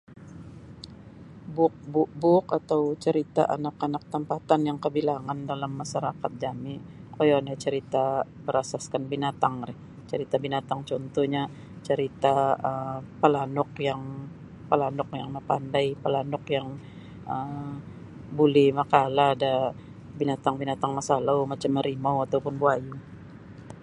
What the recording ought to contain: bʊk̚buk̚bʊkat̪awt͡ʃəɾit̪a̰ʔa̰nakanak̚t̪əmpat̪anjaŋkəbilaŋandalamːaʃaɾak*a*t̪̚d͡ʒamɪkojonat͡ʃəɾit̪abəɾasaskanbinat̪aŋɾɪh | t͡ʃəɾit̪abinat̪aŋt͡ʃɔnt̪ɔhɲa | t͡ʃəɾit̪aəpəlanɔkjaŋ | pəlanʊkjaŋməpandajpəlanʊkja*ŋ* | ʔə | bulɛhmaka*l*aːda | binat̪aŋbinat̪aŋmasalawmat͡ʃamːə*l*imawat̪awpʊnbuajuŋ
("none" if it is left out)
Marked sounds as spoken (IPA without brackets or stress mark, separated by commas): a, ŋ, l, ɾ